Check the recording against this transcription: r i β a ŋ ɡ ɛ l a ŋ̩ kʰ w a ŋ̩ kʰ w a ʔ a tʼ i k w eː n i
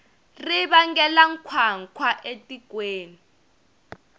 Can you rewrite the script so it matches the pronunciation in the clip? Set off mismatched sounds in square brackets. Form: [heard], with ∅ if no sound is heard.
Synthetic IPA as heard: r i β a ŋ ɡ ɛ l a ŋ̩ kʰ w a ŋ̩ kʰ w a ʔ [e] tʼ i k w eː n i